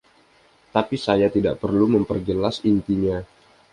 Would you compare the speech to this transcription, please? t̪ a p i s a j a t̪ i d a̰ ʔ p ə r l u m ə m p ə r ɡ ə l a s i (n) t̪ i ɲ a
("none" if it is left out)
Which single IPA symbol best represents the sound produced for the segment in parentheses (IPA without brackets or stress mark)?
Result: n